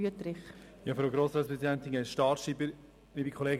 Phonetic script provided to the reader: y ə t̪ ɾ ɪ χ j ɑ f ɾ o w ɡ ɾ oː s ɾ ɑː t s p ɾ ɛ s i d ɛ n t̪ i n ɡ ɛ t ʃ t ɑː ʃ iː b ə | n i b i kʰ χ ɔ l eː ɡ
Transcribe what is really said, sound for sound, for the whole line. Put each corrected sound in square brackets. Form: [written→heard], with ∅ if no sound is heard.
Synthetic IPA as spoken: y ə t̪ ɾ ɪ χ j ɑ f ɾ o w ɡ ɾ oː s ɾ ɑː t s p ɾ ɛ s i d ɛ n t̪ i n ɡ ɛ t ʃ t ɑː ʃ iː b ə | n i b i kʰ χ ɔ l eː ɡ